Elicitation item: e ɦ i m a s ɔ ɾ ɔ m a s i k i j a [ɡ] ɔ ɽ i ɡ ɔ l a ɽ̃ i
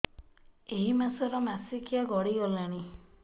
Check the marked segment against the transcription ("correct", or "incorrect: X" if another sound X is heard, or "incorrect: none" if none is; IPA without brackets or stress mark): correct